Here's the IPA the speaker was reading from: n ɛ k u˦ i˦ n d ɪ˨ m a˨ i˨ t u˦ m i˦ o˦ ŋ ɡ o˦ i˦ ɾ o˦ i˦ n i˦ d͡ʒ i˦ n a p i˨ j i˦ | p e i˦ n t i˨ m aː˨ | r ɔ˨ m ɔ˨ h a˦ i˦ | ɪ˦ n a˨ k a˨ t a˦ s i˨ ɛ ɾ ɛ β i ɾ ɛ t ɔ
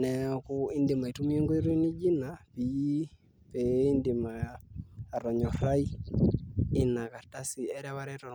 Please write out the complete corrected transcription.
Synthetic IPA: n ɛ k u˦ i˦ n d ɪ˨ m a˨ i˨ t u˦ m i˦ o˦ ŋ ɡ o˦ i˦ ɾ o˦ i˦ n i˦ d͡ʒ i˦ n a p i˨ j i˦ | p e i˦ n d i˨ m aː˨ | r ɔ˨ ɲ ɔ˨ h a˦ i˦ | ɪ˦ n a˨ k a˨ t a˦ s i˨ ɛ ɾ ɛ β a ɾ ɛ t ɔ